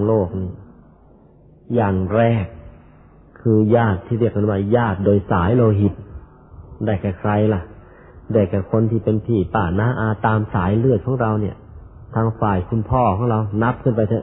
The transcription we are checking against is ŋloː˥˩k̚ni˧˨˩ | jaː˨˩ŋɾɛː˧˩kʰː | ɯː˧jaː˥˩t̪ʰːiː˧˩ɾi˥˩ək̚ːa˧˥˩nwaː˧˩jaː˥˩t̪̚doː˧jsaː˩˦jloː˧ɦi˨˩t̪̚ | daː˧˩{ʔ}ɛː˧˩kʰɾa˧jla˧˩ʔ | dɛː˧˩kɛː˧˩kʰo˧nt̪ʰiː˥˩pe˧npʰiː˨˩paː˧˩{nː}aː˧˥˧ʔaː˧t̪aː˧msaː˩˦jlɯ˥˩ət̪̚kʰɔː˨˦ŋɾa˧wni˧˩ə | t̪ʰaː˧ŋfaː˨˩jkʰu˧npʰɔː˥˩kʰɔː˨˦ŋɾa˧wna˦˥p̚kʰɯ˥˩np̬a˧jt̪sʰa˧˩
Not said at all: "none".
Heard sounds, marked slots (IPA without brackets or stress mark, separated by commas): k, n